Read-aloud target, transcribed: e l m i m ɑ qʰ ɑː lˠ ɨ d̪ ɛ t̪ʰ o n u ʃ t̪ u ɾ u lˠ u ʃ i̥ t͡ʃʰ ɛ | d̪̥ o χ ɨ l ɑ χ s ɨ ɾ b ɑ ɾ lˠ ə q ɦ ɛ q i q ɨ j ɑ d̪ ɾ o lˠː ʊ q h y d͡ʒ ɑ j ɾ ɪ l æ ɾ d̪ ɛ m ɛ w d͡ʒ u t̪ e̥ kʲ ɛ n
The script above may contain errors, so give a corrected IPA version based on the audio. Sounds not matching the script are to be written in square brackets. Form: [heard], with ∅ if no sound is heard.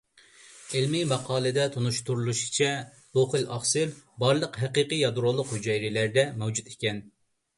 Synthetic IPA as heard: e l m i m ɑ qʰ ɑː lˠ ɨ d̪ ɛ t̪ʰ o n u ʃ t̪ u ɾ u lˠ u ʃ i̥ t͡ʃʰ ɛ | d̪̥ o χ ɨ l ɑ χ s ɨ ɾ b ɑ ɾ lˠ ə q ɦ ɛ q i q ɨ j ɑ d̪ ɾ o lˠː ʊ q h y d͡ʒ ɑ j ɾ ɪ l æ ɾ d̪ ɛ m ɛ w d͡ʒ u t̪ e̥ kʲ ɛ n

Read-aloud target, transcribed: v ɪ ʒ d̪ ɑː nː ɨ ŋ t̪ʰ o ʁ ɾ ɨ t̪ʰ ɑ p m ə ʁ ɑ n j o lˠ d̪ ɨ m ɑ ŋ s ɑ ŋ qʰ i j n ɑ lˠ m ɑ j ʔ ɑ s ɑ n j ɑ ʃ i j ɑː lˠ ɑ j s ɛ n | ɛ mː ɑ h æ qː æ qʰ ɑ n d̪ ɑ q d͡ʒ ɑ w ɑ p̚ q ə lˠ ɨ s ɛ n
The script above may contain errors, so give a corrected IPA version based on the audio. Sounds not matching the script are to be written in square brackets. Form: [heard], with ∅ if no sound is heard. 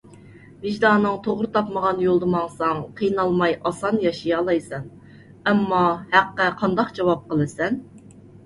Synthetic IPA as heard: v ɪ ʒ d̪ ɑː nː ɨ ŋ t̪ʰ o ʁ ɾ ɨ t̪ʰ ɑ p m ə ʁ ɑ n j o lˠ d̪ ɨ m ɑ ŋ s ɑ ŋ qʰ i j n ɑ lˠ m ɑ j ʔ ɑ s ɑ n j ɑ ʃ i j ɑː lˠ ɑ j s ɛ n | ɛ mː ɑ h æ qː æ qʰ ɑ n d̪ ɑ q d͡ʒ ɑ w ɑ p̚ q ə lˠ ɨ s ɛ n

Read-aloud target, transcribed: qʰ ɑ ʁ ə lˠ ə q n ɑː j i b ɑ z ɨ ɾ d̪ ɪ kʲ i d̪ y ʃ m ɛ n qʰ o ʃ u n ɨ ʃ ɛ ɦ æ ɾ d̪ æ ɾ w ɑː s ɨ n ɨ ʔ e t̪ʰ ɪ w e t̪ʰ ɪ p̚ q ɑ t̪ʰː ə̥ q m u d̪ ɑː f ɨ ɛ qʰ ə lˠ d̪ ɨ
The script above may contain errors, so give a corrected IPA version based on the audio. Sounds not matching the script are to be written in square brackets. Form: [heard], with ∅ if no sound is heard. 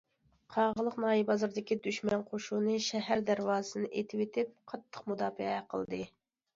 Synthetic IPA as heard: qʰ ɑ ʁ ə lˠ ə q n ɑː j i b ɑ z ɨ ɾ d̪ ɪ kʲ i d̪ y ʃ m ɛ n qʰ o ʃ u n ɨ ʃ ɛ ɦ æ ɾ d̪ æ ɾ w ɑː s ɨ n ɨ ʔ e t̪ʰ ɪ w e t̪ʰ ɪ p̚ [qʰ] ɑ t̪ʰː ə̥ q m u d̪ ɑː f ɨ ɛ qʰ ə lˠ d̪ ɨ

